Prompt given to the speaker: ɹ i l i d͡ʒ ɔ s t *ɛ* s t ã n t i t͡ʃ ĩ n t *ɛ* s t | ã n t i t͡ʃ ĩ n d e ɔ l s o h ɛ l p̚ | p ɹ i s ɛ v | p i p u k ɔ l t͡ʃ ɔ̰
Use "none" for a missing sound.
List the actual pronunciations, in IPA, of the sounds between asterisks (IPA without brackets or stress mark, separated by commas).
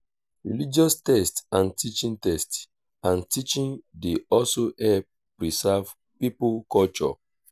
ɛ, ɛ